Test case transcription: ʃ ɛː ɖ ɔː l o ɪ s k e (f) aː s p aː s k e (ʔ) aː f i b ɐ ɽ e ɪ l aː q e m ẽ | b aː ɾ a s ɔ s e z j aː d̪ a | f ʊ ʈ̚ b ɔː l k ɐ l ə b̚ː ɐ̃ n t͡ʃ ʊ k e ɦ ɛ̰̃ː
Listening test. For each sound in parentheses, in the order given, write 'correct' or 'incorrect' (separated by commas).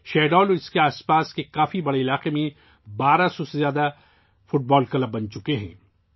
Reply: incorrect, incorrect